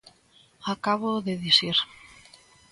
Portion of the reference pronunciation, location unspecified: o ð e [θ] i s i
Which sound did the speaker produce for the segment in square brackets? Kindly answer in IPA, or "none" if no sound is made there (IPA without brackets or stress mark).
ð